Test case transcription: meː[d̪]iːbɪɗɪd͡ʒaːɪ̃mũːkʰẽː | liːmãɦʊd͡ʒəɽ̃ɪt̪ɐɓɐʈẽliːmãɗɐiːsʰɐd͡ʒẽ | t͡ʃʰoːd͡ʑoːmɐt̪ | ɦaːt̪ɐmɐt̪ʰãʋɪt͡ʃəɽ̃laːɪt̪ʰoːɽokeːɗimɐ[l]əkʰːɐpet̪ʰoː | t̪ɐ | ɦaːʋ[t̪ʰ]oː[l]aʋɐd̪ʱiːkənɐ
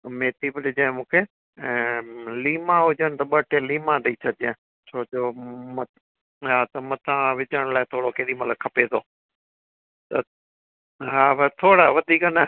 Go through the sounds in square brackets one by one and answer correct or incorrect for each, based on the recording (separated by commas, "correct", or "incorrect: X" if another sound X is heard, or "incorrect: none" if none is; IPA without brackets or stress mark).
incorrect: t̪, correct, correct, incorrect: ɽ